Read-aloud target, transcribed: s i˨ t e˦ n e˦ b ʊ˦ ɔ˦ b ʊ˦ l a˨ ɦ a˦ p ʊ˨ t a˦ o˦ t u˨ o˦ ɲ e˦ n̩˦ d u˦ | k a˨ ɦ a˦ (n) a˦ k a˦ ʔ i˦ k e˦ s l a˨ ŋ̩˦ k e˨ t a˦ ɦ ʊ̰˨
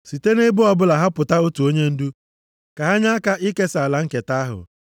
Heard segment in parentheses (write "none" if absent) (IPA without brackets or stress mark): ɲ